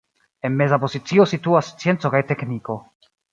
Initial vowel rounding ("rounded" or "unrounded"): unrounded